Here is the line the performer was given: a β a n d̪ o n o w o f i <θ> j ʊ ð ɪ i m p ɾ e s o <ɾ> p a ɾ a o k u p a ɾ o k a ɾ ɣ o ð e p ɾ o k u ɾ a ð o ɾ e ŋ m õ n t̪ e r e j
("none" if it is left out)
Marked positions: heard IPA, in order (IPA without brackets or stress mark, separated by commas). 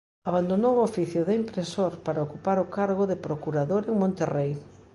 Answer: θ, ɾ